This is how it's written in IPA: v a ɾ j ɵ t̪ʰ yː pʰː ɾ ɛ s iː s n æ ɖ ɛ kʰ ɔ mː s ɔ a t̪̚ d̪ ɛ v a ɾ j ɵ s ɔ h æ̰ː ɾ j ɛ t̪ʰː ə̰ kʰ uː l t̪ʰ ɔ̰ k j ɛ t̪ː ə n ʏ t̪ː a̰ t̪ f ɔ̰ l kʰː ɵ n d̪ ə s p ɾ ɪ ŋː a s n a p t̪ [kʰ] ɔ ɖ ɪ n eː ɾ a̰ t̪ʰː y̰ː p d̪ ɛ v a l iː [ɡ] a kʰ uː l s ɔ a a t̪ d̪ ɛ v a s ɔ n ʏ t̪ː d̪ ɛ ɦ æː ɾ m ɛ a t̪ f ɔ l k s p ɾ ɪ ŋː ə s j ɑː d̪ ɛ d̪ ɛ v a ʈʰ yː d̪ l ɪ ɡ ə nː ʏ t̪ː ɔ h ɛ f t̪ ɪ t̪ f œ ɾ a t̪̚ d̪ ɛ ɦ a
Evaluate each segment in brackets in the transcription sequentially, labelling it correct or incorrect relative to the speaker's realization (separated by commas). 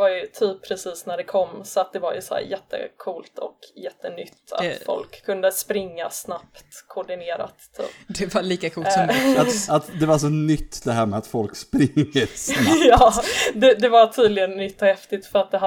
correct, incorrect